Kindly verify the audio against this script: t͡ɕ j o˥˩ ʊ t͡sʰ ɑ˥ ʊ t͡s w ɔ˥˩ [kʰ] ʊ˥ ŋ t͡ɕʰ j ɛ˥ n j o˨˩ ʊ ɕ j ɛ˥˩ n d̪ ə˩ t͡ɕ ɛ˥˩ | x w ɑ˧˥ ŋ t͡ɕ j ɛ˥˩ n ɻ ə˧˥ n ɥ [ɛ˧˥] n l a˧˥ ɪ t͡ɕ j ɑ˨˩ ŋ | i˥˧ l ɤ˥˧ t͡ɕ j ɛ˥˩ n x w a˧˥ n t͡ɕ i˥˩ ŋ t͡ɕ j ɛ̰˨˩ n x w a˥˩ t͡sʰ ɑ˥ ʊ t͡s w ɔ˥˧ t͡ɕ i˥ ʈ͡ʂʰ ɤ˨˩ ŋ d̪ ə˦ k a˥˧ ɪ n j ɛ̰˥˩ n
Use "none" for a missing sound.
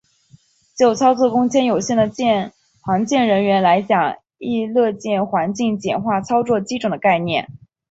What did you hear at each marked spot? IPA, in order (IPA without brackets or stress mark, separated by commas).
k, ɛ˧˥